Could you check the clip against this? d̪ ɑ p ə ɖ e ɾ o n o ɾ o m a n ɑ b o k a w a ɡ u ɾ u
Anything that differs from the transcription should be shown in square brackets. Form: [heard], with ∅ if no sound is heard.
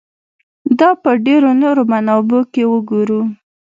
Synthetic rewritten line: d̪ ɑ p ə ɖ e ɾ o n o ɾ o m a n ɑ b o k [e] w [ə] ɡ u ɾ u